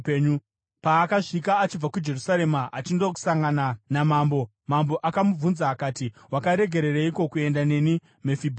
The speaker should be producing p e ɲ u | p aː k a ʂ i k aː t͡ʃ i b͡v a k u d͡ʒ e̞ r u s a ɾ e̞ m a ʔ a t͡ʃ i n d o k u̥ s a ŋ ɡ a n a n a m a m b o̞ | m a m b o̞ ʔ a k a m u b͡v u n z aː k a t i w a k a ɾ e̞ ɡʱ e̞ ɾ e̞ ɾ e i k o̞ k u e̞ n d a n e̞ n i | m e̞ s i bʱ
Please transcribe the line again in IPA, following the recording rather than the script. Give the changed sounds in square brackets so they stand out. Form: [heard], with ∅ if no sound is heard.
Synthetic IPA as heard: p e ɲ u | p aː k a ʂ i k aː t͡ʃ i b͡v a k u d͡ʒ e̞ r u s a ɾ e̞ m a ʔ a t͡ʃ i n d o k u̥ s a ŋ ɡ a n a n a m a m b o̞ | m a m b o̞ ʔ a k a m u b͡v u n z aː k a t i w a k a ɾ e̞ ɡʱ e̞ ɾ e̞ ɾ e i k o̞ k u e̞ n d a n e̞ n i | m e̞ [f] i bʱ